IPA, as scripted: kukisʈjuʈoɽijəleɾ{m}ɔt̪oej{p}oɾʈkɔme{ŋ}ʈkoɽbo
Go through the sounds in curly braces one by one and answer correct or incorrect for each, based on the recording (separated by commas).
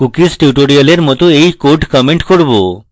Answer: correct, incorrect, incorrect